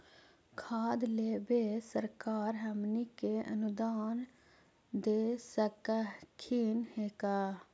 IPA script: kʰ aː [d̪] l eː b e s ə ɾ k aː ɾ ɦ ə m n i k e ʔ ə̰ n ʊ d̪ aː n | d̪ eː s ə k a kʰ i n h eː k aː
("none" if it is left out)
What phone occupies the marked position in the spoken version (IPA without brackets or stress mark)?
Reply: d̪